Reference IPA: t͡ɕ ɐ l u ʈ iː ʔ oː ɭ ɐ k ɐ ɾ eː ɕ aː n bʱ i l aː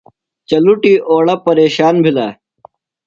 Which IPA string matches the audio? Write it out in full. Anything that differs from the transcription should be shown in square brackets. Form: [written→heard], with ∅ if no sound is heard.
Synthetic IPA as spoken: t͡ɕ ɐ l u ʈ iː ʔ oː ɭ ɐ [k→p] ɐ ɾ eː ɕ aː n bʱ i l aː